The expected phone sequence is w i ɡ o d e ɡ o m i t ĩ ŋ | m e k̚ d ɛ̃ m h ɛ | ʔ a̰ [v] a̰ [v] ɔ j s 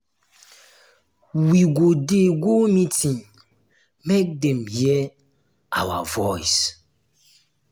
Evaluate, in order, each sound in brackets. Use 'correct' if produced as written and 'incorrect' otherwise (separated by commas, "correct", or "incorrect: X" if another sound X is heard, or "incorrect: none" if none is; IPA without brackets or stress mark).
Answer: incorrect: w, correct